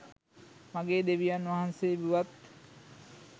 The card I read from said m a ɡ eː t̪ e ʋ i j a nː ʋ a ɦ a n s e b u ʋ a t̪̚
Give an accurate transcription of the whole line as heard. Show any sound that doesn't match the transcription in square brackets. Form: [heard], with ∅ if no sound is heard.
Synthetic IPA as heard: m a ɡ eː [d̪] e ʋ i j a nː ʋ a ɦ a n s e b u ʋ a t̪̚